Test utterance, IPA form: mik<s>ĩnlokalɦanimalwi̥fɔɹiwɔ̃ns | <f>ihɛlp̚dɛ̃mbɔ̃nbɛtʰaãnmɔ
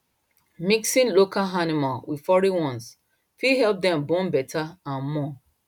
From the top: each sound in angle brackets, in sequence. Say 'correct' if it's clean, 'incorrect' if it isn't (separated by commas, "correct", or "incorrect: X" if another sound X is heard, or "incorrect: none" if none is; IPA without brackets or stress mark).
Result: correct, correct